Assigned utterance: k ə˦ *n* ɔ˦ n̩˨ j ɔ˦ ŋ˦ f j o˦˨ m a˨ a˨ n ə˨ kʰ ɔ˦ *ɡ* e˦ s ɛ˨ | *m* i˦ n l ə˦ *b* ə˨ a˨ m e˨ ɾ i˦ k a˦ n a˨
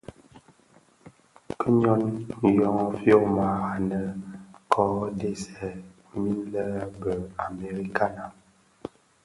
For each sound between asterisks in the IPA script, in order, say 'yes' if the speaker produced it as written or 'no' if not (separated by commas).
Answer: no, no, yes, yes